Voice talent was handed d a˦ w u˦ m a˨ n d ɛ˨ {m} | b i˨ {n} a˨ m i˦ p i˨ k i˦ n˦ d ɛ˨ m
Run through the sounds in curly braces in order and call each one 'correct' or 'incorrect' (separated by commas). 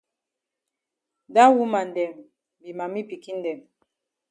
correct, incorrect